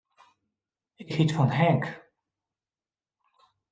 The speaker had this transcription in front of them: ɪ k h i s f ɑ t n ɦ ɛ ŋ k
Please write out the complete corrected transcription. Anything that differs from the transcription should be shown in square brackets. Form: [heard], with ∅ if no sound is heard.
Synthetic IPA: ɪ k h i [t] f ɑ [∅] n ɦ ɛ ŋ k

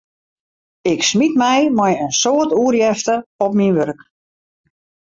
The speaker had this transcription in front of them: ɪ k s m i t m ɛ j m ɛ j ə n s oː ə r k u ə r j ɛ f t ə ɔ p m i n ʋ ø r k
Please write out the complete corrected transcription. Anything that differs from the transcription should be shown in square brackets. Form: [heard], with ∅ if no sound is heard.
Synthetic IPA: ɪ k s m i t m ɛ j m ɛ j ə n s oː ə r [t] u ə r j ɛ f t ə ɔ p m i n ʋ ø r k

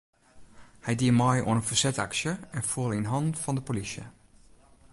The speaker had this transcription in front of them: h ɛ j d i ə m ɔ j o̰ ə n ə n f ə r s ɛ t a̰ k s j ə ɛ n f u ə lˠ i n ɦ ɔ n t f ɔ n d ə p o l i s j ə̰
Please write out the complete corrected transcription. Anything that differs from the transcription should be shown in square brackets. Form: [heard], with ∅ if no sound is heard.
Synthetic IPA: h ɛ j d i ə m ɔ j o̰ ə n ə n f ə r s ɛ t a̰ k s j ə ɛ n f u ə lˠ i n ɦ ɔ n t f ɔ n d ə p o l i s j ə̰

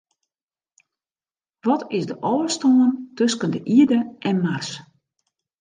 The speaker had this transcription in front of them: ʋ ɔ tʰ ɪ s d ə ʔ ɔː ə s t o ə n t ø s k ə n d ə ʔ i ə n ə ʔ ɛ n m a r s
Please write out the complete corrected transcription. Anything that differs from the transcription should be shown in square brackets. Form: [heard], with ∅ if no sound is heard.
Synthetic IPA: ʋ ɔ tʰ ɪ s d ə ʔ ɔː ə s t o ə n t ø s k ə n d ə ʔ i ə [d] ə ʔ ɛ n m a r s

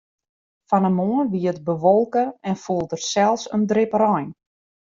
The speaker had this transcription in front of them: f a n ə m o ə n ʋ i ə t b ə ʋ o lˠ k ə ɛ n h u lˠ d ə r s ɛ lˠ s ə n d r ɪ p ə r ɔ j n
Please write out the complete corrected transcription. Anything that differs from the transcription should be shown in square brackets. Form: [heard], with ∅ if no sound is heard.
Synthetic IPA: f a n ə m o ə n ʋ i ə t b ə ʋ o lˠ k ə ɛ n [f] u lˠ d ə r s ɛ lˠ s ə n d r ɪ p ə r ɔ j n

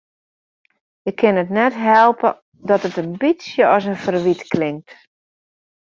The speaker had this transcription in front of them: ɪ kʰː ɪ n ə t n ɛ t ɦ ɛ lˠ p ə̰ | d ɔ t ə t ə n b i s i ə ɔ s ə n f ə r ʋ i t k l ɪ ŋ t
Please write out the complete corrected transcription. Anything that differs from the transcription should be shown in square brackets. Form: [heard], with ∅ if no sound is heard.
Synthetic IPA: ɪ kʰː ɪ n ə t n ɛ t ɦ ɛ lˠ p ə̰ | d ɔ t ə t ə n b i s [j] ə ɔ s ə n f ə r ʋ i t k l ɪ ŋ t

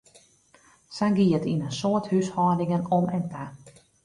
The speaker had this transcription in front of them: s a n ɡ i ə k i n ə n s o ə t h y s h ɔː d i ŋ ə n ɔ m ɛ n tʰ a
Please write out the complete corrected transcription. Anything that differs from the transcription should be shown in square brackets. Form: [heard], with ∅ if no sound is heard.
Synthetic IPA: s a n ɡ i ə [t] i n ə n s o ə t h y s h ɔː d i ŋ ə n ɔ m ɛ n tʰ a

